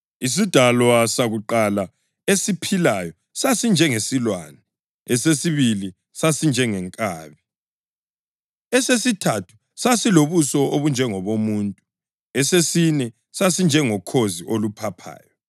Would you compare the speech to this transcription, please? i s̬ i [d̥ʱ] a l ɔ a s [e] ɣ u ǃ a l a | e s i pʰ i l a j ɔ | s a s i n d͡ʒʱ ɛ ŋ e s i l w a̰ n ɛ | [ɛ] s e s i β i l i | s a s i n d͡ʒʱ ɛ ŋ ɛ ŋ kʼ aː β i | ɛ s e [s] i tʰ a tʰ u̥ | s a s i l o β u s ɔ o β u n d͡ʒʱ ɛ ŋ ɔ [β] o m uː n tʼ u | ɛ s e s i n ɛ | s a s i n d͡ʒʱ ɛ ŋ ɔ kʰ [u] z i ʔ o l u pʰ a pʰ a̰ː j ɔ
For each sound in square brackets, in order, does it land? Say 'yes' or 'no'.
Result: yes, no, yes, yes, yes, no

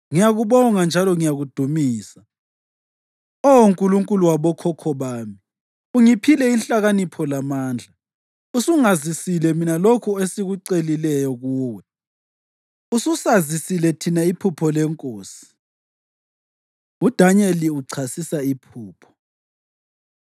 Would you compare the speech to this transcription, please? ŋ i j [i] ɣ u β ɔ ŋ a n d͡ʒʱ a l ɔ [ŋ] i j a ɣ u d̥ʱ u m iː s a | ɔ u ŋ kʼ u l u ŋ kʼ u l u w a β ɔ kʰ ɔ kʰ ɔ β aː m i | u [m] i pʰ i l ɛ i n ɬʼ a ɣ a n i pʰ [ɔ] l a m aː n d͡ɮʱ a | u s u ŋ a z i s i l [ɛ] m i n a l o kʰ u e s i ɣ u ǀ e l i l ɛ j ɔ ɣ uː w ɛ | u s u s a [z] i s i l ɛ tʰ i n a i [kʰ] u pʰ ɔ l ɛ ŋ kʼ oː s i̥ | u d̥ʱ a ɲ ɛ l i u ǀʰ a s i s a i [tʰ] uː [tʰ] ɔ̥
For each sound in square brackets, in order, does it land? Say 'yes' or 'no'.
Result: no, yes, no, yes, yes, yes, no, no, no

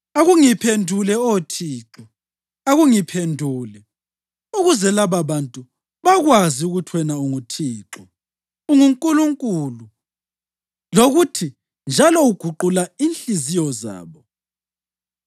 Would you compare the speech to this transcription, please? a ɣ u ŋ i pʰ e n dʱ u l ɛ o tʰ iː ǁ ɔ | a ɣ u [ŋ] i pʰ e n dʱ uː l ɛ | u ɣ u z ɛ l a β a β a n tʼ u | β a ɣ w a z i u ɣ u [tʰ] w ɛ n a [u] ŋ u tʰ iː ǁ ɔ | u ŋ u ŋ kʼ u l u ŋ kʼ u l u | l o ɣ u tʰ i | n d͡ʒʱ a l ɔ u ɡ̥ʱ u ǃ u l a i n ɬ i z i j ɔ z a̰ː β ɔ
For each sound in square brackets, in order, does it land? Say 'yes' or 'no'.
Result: yes, yes, yes

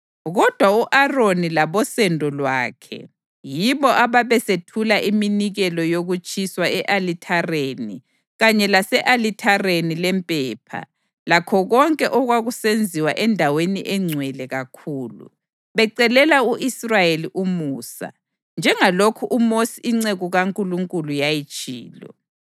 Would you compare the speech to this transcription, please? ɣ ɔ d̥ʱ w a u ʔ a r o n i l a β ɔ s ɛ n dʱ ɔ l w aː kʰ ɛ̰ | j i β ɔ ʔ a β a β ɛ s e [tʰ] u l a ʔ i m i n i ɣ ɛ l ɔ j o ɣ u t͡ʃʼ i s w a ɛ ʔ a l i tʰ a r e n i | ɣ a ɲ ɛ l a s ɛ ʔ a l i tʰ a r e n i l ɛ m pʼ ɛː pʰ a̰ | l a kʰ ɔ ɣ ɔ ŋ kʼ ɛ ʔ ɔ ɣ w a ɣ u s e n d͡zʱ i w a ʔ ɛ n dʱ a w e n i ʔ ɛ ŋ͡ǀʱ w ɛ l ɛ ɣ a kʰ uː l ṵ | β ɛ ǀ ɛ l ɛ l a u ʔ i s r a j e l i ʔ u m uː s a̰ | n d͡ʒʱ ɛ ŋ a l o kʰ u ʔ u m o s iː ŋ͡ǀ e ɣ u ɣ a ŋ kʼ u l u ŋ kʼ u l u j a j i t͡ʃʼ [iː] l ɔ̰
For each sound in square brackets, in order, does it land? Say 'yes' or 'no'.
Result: yes, yes

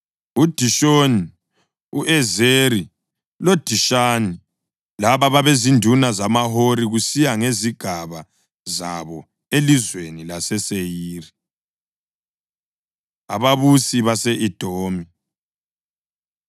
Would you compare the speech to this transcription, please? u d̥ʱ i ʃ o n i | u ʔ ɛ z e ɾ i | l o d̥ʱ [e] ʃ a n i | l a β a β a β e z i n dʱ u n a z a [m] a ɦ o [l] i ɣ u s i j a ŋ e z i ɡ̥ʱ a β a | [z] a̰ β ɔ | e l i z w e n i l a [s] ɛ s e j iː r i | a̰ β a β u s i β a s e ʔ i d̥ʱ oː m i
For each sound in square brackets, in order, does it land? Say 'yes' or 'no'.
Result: no, yes, no, yes, yes

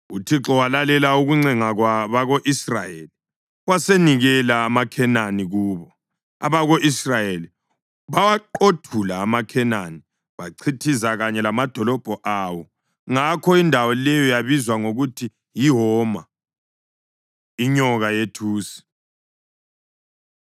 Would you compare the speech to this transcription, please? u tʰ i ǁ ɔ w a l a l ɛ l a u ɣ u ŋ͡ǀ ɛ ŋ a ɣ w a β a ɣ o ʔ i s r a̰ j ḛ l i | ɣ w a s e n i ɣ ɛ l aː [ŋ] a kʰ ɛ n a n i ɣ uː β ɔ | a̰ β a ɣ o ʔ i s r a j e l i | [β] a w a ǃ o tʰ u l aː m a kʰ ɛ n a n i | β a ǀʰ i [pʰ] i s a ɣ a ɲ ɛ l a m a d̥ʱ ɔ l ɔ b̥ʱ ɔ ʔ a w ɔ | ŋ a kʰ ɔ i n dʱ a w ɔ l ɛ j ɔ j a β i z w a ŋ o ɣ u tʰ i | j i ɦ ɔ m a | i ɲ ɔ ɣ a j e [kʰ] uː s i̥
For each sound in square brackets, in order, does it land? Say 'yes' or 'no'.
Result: no, yes, no, no

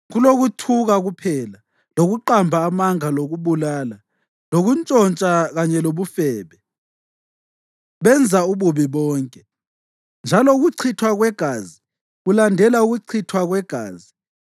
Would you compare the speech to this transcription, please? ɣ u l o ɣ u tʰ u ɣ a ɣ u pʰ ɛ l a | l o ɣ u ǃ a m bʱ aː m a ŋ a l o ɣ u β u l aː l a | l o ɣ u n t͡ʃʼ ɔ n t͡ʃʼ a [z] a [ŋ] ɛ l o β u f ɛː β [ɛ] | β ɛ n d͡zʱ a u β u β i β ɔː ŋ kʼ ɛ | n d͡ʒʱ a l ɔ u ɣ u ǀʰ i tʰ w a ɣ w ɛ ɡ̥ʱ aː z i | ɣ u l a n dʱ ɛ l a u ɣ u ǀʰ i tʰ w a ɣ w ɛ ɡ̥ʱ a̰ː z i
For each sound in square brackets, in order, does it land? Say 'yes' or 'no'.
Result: no, no, yes

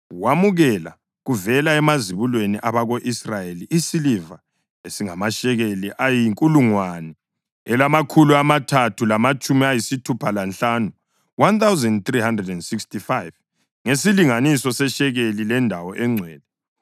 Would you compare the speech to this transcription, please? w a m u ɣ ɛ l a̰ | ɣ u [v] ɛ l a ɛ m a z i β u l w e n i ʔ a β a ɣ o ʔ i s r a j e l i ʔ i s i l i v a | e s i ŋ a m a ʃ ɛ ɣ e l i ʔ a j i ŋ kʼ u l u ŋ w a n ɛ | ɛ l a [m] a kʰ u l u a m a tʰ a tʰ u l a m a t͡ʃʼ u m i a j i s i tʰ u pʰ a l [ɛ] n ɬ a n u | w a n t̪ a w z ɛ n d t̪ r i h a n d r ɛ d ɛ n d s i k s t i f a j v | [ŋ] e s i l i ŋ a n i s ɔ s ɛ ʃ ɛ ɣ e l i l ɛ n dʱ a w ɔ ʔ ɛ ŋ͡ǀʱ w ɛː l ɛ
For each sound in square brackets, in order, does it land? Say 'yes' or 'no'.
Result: yes, yes, no, yes

